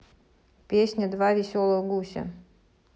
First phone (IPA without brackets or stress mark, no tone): pʲ